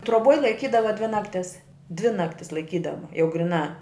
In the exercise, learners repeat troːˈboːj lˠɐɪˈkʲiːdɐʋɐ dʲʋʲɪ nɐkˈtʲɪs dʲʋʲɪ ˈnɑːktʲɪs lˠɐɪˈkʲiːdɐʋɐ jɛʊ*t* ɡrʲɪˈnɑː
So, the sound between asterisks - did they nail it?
no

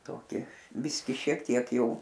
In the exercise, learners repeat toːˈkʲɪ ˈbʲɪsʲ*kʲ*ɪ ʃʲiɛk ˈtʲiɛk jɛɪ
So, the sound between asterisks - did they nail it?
yes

